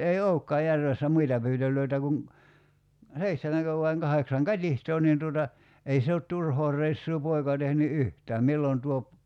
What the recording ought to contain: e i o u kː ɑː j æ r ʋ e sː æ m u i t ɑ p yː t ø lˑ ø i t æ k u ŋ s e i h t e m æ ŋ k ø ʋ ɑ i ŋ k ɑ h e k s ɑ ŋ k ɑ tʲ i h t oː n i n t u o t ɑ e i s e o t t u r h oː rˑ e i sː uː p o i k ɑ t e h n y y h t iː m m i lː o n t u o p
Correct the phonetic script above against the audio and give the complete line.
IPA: e i o u kː ɑː j æ r ʋ e sː æ m u i t ɑ p yː t ø lˑ ø i t æ k u ŋ s e i h t e m æ ŋ k ø ʋ ɑ i ŋ k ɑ h e k s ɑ ŋ k ɑ tʲ i h t oː n i n t u o t ɑ e i s e o t t u r h oː rˑ e i sː uː p o i k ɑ t e h n y y h t æː m m i lː o n t u o p